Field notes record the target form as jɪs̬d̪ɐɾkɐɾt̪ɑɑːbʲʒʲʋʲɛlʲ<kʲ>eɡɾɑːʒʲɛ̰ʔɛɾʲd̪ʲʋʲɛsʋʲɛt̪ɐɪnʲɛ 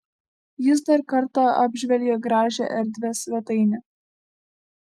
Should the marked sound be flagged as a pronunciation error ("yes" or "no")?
yes